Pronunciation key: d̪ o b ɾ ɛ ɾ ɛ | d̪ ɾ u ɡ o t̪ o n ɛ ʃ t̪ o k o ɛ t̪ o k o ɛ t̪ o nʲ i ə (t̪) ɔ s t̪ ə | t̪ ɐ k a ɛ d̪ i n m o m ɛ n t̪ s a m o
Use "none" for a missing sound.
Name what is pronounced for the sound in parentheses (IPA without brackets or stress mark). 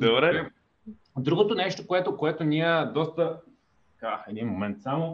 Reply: d̪